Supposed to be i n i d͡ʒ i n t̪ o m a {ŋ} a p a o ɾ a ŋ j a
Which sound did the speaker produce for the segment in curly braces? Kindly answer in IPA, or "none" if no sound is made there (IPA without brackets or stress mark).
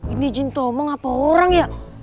ŋ